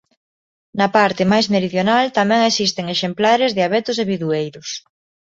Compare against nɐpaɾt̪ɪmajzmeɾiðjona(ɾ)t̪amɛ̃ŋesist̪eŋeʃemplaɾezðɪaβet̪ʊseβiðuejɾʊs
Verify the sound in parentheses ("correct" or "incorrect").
incorrect